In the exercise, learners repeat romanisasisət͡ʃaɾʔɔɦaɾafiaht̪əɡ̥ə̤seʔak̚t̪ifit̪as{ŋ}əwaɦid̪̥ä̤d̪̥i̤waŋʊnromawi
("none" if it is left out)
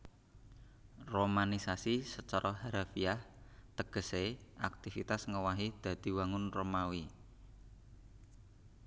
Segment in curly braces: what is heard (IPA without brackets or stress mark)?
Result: ŋ